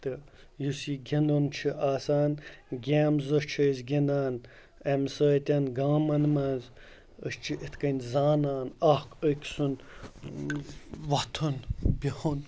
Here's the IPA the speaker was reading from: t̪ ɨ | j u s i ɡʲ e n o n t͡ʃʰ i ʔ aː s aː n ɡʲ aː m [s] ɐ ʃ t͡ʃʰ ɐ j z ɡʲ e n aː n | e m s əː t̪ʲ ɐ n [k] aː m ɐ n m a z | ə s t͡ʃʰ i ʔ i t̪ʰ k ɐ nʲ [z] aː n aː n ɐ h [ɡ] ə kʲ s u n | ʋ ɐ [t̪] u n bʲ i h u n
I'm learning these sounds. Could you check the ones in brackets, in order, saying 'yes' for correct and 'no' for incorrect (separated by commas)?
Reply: no, no, yes, no, no